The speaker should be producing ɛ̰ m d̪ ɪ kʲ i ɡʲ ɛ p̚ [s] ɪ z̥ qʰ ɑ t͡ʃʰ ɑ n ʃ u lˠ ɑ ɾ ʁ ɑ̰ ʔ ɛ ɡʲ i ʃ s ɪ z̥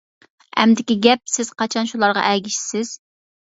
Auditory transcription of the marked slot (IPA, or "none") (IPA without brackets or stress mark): s